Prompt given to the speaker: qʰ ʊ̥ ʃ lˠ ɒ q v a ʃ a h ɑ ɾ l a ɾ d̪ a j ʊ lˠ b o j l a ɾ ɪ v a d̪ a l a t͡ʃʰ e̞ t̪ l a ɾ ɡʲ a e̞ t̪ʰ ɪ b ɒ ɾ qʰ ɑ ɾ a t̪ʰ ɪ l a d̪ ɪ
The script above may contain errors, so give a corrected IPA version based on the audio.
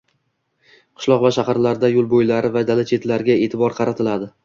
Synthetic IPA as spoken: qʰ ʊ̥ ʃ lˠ ɒ q v a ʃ a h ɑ ɾ l a ɾ d̪ a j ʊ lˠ b o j l a ɾ ɪ v a d̪ a l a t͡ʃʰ e̞ t̪ l a ɾ ɡʲ a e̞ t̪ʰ ɪ b ɒ ɾ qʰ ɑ ɾ a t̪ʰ ɪ l a d̪ ɪ